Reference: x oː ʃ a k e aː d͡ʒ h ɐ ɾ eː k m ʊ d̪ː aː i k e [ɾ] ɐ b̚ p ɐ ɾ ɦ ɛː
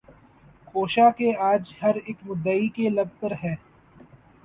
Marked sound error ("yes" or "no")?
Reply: yes